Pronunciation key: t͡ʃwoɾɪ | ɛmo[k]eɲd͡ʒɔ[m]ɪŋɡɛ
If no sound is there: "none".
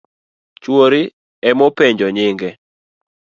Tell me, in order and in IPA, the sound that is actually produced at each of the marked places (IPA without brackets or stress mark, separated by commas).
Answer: p, ɲ